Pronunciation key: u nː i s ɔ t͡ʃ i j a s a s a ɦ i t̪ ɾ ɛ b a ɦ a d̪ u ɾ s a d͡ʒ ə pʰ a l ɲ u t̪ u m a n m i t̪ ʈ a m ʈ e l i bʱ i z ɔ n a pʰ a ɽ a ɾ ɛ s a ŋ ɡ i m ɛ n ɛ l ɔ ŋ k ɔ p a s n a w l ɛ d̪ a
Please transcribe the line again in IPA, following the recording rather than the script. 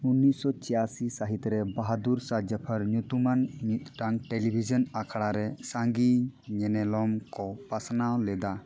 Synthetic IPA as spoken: u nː i s ɔ t͡ʃ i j a s i s a ɦ i t̪ ɾ ɛ b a ɦ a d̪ u ɾ s a d͡ʒ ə pʰ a ɾ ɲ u t̪ u m a n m i t̪ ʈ a ŋ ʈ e l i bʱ i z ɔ n a kʰ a ɽ a ɾ ɛ s a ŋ ɡ i ɲ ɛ n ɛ l ɔ m k ɔ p a s n a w l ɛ d̪ a